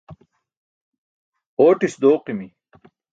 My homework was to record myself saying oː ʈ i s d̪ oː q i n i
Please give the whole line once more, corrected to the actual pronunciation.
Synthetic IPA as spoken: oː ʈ i s d̪ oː q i m i